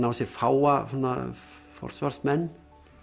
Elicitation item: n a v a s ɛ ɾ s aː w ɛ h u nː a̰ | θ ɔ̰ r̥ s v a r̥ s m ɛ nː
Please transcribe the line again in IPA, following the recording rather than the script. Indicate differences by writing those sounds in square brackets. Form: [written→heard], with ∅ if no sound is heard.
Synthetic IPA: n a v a s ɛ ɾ [s→f] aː w [ɛ→a] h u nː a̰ | [θ→f] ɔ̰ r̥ s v a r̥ s m ɛ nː